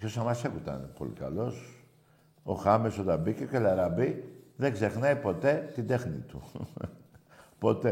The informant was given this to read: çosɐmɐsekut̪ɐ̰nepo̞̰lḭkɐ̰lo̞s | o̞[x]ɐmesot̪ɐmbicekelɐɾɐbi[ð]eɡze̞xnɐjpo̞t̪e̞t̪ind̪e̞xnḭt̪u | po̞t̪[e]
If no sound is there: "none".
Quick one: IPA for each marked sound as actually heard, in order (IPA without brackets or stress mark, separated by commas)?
x, ð, e